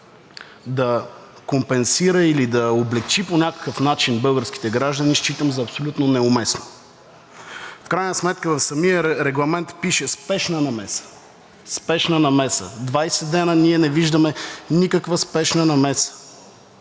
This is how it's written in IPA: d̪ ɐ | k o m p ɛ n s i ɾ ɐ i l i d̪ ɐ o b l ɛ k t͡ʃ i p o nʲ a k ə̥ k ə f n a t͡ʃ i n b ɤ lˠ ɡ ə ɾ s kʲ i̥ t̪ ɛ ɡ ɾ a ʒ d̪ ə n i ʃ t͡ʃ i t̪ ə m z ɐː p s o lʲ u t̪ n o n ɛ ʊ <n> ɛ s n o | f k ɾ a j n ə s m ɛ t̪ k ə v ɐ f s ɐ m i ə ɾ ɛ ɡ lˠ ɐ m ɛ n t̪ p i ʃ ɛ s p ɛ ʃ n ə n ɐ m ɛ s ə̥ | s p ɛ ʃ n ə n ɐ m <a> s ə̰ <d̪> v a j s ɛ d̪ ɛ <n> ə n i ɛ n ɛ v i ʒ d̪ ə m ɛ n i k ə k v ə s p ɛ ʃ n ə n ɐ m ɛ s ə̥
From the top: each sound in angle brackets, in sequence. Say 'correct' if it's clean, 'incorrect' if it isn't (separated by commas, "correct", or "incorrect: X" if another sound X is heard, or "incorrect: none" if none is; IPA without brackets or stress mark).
incorrect: m, incorrect: ɛ, correct, correct